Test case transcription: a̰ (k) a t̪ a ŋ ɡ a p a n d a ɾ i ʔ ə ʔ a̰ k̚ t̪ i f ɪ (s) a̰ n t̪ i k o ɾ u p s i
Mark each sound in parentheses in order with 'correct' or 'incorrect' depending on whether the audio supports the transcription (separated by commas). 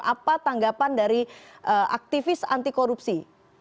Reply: incorrect, correct